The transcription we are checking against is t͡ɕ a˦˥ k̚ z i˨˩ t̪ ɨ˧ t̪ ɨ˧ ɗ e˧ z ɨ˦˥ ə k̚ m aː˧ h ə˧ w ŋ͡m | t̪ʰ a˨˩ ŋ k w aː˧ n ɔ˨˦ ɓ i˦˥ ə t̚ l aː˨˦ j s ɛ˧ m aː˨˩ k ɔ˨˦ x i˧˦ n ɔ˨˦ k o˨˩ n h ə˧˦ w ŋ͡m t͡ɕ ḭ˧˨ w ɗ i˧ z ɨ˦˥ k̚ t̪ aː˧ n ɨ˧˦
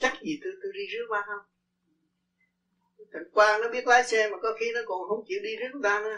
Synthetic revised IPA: t͡ɕ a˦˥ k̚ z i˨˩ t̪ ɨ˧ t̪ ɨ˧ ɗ i˧ z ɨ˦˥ ə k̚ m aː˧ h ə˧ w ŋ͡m | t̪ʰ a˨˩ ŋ k w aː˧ n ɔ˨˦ ɓ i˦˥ ə t̚ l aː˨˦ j s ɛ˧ m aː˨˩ k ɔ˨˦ x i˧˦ n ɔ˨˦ k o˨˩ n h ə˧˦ w ŋ͡m t͡ɕ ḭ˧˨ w ɗ i˧ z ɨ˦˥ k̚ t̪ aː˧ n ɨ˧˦